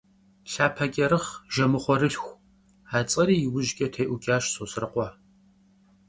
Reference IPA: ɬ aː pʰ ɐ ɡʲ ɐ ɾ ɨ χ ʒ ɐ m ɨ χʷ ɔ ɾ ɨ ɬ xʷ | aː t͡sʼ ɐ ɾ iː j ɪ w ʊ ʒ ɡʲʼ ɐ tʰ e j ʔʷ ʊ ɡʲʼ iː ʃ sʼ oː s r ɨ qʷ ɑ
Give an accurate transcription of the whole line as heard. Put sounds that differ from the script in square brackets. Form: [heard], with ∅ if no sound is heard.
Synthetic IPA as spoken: ɬ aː pʰ ɐ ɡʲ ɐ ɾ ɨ χ ʒ ɐ m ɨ χʷ ɔ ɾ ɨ ɬ xʷ | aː t͡sʼ ɐ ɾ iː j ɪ w ʊ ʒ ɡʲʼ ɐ tʰ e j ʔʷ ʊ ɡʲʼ [aː] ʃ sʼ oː s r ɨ qʷ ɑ